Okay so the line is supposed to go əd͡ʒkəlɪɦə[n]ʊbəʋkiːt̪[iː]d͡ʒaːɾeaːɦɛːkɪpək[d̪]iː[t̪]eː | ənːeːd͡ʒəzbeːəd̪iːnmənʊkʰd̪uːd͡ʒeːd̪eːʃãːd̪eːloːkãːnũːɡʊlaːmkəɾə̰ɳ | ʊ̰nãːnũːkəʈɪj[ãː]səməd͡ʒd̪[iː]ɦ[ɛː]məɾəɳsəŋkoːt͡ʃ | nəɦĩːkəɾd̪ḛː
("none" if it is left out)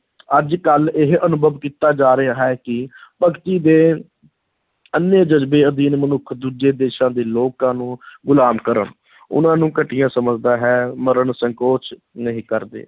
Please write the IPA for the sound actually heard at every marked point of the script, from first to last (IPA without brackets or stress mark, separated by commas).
n, aː, t̪, d̪, ãː, aː, ɛː